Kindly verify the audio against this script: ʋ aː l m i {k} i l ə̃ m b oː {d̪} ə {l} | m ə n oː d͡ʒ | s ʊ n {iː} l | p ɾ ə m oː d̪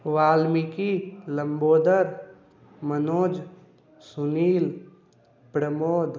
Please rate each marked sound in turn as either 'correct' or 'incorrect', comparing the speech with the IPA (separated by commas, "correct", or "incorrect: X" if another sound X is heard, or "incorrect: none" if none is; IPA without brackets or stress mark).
correct, correct, incorrect: ɾ, correct